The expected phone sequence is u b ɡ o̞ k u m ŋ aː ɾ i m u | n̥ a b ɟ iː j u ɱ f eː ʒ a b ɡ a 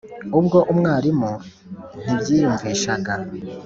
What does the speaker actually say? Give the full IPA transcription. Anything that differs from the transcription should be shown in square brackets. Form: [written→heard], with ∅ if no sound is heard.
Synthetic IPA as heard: u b ɡ o̞ [k→ʔ] u m ŋ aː ɾ i m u | n̥ [a→i] b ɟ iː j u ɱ [f→v] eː [ʒ→ʃ] a [b→∅] ɡ a

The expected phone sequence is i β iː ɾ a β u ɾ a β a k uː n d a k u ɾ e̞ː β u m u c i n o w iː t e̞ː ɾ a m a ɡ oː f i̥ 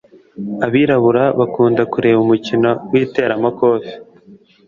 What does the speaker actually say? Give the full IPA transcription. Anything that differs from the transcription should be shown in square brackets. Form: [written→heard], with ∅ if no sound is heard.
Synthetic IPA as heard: [i→a] β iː ɾ a β u ɾ a β a k uː n d a k u ɾ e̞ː β u m u c i n o w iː t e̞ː ɾ a m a [ɡ→k] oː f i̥

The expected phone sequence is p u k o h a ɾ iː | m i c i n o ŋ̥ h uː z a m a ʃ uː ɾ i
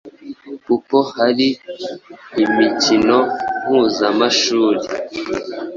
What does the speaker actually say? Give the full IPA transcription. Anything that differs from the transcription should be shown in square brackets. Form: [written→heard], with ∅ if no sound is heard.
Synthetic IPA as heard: p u [k→p] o h a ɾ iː | m i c i n o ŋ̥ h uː z a m a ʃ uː ɾ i

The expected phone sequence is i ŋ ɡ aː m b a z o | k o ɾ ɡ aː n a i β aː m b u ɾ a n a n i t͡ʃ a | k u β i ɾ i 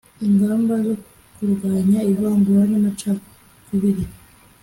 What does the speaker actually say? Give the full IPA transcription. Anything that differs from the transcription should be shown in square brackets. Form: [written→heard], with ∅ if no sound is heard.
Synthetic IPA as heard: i ŋ ɡ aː m b a z o | k [o→u] ɾ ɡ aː [n→ɲ] a i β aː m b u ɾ a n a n [i→a] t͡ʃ a | k u β i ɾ i

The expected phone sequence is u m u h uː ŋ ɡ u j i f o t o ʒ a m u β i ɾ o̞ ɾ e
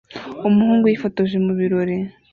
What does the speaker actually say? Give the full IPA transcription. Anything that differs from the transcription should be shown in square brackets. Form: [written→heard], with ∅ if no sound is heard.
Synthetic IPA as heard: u m u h uː ŋ ɡ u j i f o t o ʒ [a→e] m u β i ɾ o̞ ɾ e

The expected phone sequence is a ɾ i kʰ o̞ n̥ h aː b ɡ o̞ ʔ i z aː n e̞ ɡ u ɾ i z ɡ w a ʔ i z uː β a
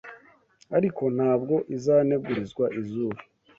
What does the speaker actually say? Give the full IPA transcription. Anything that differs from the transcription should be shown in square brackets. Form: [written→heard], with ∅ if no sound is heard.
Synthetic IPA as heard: a ɾ i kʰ o̞ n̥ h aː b ɡ o̞ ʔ i z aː n e̞ ɡ u ɾ i z ɡ w a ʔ i z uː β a

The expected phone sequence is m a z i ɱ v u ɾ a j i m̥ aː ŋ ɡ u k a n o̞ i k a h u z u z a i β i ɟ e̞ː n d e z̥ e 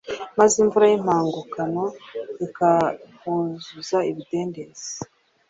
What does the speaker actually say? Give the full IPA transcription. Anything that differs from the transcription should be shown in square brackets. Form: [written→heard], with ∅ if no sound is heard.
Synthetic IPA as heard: m a z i ɱ v u ɾ a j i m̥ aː ŋ ɡ u k a n o̞ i k a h u z u z a i β i [ɟ→d] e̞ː n d e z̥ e

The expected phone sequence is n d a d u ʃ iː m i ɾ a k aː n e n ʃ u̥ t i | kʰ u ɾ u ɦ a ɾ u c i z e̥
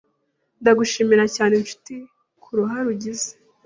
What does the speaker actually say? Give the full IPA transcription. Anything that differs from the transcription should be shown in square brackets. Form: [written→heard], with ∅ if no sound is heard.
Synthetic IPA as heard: n d a [d→ɡ] u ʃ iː m i ɾ a [k→c] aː n e n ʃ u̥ t i | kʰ u ɾ u ɦ a ɾ u [c→ɟ] i z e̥

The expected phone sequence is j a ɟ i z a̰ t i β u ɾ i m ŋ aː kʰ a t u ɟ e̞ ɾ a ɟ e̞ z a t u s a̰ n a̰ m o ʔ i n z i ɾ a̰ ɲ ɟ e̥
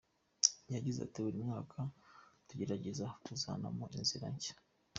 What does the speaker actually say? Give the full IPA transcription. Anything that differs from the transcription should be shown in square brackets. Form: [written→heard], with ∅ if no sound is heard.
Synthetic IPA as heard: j a ɟ i z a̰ t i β u ɾ i m ŋ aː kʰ a t u ɟ e̞ ɾ a ɟ e̞ z a t u [s→z] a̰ n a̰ m o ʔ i n z i ɾ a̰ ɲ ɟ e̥

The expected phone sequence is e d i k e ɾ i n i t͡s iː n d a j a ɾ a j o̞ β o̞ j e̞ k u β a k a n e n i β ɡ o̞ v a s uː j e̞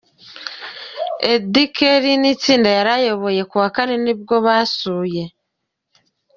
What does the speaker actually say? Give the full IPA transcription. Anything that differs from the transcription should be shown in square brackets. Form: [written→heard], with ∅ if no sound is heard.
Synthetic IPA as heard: e d i k e ɾ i n i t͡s iː n d a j a ɾ a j o̞ β o̞ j e̞ k u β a k a n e n i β ɡ o̞ [v→β] a s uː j e̞

